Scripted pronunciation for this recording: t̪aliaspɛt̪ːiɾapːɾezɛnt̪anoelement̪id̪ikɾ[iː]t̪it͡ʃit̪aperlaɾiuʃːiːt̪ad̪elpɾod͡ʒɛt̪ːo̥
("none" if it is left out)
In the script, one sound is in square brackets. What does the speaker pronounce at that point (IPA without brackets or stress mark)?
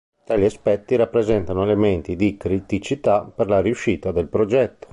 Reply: i